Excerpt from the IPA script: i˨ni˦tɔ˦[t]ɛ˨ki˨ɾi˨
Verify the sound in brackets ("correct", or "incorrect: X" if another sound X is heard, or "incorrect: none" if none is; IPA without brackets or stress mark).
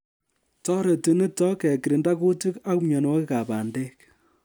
incorrect: k